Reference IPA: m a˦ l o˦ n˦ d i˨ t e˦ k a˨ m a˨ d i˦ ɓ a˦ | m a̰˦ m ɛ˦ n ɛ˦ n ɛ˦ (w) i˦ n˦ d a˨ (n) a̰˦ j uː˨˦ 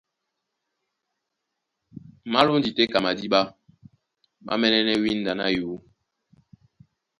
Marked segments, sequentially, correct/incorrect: correct, correct

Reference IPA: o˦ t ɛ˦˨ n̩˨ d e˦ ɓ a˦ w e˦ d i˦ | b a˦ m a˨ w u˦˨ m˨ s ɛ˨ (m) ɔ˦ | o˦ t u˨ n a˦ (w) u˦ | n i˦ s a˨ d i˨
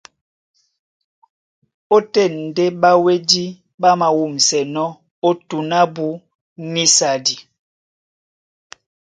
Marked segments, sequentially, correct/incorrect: incorrect: n, incorrect: b

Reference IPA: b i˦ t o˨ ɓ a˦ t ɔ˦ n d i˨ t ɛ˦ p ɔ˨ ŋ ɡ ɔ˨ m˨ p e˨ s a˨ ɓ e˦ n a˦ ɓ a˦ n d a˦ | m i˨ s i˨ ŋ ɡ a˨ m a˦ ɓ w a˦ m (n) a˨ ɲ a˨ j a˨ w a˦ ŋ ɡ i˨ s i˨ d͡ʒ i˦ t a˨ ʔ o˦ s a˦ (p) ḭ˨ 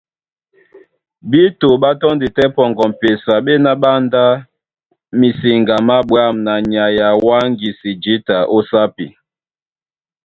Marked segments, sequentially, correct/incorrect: correct, correct

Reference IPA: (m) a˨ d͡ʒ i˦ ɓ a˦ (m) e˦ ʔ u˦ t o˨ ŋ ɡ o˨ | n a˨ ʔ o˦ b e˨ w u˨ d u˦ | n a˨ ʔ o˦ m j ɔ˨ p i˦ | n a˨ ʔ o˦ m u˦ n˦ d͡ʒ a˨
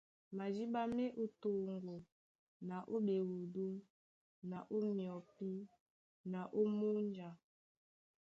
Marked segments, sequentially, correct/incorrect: correct, correct

